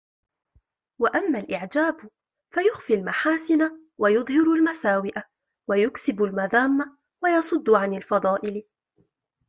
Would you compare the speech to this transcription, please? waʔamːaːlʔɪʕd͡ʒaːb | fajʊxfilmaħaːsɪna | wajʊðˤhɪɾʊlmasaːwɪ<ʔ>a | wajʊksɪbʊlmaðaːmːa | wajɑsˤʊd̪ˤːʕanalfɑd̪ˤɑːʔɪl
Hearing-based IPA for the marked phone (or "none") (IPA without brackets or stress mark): ʔ